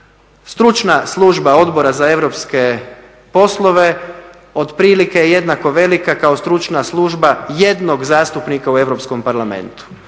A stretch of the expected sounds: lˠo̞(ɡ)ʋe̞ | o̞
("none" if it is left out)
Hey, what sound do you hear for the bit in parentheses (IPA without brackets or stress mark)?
none